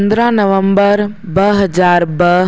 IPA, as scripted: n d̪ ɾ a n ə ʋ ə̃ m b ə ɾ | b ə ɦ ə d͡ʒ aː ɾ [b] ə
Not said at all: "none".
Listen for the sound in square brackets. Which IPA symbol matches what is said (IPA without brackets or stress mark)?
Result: b